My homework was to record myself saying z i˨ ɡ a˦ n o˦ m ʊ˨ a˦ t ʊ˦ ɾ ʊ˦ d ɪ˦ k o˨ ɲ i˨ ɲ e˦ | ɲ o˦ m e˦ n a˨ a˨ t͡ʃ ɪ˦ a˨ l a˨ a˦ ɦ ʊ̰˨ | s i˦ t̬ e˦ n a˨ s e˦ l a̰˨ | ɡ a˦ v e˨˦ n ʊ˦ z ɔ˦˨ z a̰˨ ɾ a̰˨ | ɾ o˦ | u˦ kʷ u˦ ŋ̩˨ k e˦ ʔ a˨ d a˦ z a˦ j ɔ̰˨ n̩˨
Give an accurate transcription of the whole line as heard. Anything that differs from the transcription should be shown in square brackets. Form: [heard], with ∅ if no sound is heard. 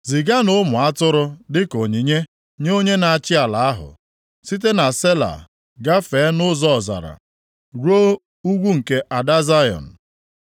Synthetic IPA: z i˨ ɡ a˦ n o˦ m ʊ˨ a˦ t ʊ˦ ɾ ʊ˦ d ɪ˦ k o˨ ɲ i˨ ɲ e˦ | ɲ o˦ [ɲ] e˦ n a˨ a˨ t͡ʃ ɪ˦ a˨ l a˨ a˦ ɦ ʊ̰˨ | s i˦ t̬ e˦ n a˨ s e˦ l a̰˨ | ɡ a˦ [f] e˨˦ n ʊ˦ z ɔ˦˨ z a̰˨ ɾ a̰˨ | ɾ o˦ | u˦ [ɡʷ] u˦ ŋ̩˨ k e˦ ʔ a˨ d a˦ z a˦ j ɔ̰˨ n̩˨